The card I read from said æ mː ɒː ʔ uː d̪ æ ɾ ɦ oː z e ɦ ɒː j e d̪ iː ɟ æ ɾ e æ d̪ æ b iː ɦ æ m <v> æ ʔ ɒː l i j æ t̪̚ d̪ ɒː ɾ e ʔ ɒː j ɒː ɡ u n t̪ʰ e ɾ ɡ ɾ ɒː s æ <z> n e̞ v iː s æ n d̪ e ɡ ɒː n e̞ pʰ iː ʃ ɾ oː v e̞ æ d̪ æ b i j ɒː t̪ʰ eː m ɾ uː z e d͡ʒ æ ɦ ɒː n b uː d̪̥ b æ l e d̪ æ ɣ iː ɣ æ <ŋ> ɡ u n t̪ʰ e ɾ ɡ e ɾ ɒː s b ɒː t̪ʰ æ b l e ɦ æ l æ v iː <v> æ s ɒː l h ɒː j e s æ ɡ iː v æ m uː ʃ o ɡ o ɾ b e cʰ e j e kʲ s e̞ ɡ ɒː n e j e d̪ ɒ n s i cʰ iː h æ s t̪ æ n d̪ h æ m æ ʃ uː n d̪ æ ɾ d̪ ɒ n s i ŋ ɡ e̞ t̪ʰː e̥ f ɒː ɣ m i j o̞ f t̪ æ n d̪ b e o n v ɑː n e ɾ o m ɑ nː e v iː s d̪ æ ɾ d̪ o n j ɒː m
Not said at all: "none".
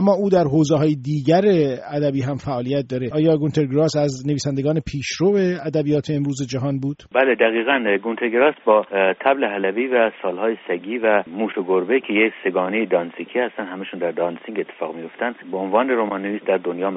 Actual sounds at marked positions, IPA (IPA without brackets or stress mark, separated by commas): f, z, n, v